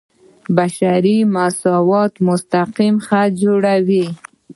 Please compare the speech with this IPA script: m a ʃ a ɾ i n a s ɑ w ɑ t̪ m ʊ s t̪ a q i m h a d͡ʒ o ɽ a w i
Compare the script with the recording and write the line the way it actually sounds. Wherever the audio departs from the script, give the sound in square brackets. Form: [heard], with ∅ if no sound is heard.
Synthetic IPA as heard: [b] a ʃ a ɾ i [m] a s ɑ w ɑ t̪ m ʊ s t̪ a q i m [x] a d͡ʒ o ɽ a w i

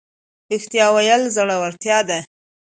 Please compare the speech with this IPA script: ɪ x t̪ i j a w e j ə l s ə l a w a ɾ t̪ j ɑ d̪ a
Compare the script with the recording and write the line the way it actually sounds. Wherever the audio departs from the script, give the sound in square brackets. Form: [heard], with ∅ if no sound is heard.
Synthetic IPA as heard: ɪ x t̪ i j [ɑ] w [a] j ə l [z] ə [ɽ] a w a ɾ t̪ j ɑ d̪ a

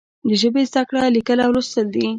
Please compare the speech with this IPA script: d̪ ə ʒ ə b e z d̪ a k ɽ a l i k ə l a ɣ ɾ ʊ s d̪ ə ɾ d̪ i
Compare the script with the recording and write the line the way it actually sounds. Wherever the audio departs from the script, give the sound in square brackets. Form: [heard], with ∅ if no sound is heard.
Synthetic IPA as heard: d̪ ə ʒ ə b e z d̪ a k ɽ a l i k ə l a [w] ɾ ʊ s [t̪] ə [l] d̪ i

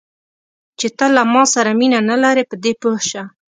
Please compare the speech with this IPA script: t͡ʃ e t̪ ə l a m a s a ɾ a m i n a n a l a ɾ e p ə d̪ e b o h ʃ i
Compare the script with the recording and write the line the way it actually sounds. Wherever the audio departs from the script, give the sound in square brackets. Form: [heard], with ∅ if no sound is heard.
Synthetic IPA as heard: t͡ʃ e t̪ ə l a m [ɑ] s a ɾ a m i n a n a l a ɾ e p ə d̪ e [p] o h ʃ [a]

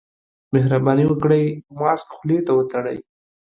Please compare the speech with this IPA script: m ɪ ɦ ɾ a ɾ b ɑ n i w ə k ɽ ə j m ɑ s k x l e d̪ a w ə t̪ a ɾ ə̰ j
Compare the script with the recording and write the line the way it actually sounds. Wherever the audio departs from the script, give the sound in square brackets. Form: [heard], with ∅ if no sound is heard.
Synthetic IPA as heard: m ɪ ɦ ɾ a [∅] b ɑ n i w ə k ɽ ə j m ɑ s k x l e [t̪] a w ə t̪ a [ɽ] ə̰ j

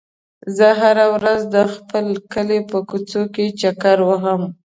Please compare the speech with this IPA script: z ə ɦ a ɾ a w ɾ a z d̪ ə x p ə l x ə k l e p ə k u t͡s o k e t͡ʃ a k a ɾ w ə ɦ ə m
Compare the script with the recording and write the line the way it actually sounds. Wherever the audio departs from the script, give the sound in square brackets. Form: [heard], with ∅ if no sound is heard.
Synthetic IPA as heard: z ə ɦ a ɾ a w ɾ a z d̪ ə x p ə l [k] ə [∅] l e p ə k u t͡s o k e t͡ʃ a k a ɾ w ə ɦ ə m

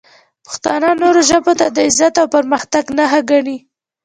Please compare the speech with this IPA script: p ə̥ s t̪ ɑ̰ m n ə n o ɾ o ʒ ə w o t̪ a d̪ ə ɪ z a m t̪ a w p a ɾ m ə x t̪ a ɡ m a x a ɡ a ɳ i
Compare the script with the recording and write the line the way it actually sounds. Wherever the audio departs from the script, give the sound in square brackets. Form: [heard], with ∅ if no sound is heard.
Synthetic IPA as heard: p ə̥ [x] t̪ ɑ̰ [∅] n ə n o ɾ o ʒ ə [b] o t̪ a d̪ ə ɪ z a [∅] t̪ a w p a ɾ m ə x t̪ a ɡ [n] a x a ɡ a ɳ i

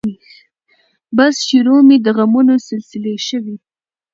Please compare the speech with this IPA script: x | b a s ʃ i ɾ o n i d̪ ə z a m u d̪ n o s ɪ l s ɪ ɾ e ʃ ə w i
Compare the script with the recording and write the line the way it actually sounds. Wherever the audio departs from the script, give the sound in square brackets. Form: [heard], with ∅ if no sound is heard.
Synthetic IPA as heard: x | b a s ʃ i ɾ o [m] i d̪ ə [ɣ] a m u [∅] n o s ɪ l s ɪ [l] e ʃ ə w i

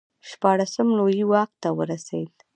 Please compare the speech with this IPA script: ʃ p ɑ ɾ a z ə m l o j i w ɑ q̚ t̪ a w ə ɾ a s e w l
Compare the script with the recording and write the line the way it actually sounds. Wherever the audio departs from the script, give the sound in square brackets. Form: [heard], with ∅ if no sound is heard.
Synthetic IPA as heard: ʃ p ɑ [ɽ] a [s] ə m l o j i w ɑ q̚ t̪ a w ə ɾ a s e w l

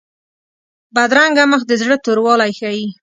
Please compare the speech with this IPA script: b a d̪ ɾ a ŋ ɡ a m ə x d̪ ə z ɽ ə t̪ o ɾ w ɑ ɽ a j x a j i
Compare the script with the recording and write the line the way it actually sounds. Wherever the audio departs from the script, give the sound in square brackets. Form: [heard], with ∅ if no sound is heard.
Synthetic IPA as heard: b a d̪ ɾ a ŋ ɡ a m ə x d̪ ə z ɽ ə t̪ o ɾ w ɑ [l] a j x a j i

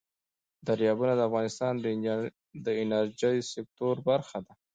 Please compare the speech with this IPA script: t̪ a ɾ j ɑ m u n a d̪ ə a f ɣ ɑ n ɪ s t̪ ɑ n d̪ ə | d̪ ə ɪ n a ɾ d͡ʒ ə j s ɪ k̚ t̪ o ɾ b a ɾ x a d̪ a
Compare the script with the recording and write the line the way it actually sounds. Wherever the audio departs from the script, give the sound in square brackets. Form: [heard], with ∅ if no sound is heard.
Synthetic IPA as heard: [d̪] a ɾ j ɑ [b] u n a d̪ ə a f ɣ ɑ n ɪ s t̪ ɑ n d̪ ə | d̪ ə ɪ n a ɾ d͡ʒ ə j s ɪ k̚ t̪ o ɾ b a ɾ x a d̪ a

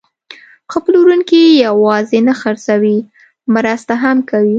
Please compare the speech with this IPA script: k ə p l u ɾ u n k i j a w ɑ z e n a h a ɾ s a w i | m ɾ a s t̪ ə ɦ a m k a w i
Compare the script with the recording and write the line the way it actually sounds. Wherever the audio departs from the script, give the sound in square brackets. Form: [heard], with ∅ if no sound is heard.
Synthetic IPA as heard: [x] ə p l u ɾ u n k i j a w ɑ z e n a [x] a ɾ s a w i | m ɾ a s t̪ [a] ɦ a m k a w i

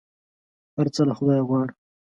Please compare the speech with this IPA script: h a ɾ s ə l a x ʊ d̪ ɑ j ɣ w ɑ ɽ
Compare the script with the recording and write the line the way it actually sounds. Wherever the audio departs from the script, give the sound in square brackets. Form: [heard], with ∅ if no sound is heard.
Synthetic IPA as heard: h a ɾ [t͡s] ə l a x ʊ d̪ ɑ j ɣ w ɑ ɽ

